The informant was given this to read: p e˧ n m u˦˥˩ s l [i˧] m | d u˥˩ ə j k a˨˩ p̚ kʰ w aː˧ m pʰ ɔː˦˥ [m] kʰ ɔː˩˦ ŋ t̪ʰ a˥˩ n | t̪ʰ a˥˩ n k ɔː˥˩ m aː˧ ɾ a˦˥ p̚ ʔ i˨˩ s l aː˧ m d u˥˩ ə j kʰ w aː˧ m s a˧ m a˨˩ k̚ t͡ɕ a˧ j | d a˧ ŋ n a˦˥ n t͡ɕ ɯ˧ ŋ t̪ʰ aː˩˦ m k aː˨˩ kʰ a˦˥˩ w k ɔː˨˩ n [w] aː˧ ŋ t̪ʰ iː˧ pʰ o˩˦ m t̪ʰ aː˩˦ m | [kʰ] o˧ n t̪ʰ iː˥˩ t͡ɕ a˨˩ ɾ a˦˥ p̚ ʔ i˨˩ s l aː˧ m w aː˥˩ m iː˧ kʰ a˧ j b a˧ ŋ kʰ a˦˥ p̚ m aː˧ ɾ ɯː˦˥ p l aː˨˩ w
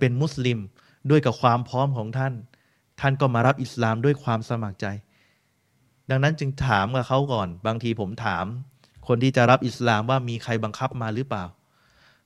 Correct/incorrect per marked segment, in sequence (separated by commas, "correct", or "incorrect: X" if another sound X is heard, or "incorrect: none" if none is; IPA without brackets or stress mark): correct, correct, incorrect: b, correct